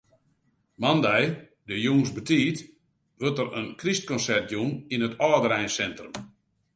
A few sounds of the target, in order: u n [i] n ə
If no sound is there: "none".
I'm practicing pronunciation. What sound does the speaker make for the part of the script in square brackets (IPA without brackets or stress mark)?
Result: i